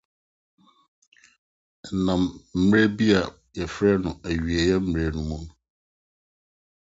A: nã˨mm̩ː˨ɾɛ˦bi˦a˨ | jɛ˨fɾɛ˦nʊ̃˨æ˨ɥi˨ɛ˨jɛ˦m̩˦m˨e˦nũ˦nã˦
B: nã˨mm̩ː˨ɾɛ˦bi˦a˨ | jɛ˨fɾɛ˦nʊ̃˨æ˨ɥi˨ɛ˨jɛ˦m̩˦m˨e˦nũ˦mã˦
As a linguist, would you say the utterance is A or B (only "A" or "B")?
B